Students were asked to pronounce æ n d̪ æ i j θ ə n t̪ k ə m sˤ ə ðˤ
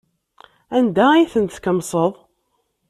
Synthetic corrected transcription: æ n d̪ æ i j θ ə n t̪ k ə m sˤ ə ðˤ